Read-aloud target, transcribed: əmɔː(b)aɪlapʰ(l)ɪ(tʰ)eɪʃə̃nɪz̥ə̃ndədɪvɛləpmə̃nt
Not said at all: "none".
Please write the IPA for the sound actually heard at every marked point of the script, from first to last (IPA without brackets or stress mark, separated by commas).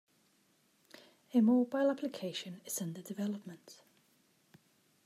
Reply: b, l, kʰ